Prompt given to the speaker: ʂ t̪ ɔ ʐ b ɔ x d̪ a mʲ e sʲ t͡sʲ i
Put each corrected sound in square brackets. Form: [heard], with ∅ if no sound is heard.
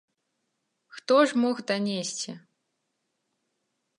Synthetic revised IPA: [x] t̪ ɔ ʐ [m] ɔ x d̪ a [nʲ] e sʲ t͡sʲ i